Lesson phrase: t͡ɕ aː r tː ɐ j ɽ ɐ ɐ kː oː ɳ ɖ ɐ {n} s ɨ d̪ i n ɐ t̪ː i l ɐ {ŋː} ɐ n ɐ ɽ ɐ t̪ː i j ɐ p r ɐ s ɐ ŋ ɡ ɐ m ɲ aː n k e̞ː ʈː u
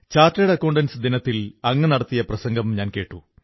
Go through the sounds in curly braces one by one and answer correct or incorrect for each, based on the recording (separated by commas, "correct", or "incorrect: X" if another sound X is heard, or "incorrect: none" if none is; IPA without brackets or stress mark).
correct, correct